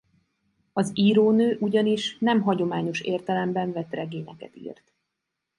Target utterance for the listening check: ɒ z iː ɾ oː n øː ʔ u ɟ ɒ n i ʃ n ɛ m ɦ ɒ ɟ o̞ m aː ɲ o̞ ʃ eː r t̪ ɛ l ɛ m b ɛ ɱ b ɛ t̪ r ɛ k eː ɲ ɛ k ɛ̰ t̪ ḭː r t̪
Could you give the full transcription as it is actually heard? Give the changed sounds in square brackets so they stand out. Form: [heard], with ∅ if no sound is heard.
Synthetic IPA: ɒ z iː ɾ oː n øː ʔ u ɟ ɒ n i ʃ n ɛ m ɦ ɒ ɟ o̞ m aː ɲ o̞ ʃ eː r t̪ ɛ l ɛ m b ɛ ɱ [v] ɛ t̪ r ɛ [ɡ] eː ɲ ɛ k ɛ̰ t̪ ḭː r t̪